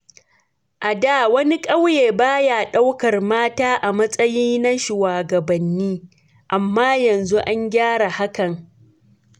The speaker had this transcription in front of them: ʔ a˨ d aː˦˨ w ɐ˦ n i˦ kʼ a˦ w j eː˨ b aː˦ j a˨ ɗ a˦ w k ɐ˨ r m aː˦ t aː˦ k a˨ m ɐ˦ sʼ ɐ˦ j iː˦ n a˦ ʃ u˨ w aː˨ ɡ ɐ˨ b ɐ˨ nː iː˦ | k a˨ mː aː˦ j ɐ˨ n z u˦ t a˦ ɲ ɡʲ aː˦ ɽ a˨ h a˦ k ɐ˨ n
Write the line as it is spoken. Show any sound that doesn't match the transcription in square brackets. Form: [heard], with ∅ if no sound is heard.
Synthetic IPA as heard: ʔ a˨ d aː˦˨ w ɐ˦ n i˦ kʼ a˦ w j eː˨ b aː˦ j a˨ ɗ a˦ w k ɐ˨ r m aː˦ t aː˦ [ʔ] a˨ m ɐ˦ sʼ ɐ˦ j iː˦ n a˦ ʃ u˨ w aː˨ ɡ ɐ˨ b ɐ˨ nː iː˦ | [ʔ] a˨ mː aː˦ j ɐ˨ n z u˦ [ʔ] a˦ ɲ ɡʲ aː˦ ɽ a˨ h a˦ k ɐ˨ [ŋ]